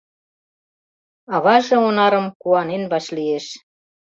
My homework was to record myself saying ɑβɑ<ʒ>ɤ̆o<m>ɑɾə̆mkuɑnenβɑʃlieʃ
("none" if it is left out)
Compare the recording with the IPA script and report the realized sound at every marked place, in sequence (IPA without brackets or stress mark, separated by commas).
ʒ, n